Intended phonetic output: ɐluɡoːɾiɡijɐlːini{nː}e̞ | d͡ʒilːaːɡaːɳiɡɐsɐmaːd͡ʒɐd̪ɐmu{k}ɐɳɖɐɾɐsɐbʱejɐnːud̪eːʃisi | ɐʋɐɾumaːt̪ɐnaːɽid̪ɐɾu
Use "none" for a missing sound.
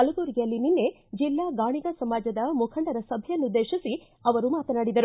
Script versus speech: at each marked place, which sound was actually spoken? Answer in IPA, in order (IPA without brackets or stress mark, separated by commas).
nː, kʰ